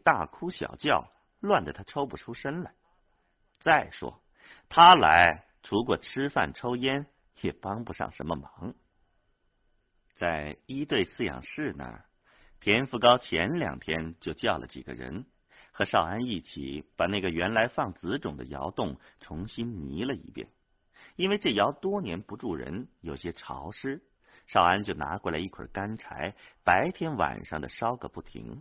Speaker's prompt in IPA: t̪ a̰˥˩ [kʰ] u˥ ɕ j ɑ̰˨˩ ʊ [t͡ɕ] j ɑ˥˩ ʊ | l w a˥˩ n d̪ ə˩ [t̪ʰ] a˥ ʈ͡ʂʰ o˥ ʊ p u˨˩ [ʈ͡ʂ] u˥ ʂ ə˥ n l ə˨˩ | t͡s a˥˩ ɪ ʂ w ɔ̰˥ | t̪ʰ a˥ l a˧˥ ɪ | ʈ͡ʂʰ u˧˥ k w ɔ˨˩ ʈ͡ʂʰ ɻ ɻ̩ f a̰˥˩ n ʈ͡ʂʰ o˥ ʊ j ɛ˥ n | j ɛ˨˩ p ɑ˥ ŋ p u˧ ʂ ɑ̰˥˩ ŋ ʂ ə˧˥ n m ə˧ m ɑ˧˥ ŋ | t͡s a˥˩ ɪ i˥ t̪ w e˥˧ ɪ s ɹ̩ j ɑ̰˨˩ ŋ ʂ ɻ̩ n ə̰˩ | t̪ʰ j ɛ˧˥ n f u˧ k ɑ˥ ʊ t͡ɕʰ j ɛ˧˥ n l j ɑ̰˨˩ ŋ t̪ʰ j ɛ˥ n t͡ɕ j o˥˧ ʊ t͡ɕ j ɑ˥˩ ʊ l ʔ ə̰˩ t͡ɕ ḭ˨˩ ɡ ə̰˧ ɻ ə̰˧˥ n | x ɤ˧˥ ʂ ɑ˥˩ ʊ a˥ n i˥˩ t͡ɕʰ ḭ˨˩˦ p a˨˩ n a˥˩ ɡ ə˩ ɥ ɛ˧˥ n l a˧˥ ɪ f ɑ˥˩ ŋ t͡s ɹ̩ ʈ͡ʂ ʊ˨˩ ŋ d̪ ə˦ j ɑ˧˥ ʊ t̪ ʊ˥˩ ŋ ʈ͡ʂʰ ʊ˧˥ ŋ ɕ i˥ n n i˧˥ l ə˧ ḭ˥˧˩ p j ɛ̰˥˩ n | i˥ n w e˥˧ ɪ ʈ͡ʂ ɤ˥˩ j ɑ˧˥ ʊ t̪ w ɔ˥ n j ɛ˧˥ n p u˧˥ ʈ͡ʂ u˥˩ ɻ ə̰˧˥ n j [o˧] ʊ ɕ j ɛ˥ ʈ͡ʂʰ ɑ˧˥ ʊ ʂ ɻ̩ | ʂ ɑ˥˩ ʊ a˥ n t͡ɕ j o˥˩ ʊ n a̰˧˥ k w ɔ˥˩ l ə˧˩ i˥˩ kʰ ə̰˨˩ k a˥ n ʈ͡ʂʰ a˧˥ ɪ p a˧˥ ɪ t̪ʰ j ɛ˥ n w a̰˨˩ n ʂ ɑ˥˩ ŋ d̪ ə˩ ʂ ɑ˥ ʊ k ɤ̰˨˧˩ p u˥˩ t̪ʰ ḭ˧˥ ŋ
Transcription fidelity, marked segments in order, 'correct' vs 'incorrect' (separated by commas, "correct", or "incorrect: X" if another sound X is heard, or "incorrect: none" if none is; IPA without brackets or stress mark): correct, correct, correct, incorrect: ʈ͡ʂʰ, incorrect: o˨˩